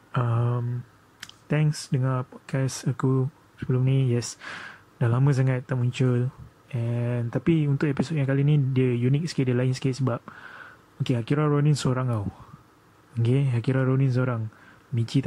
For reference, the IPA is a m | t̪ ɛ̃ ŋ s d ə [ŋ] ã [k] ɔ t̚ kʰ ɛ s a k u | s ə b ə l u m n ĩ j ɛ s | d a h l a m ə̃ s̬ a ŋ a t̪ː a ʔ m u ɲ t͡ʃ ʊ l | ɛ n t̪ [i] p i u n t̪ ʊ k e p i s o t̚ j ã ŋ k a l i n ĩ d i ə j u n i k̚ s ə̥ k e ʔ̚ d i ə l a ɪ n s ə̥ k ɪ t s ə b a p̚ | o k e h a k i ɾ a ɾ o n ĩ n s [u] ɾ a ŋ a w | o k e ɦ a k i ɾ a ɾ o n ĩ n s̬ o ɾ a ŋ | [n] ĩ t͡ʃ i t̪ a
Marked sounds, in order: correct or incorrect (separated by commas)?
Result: correct, incorrect, incorrect, incorrect, incorrect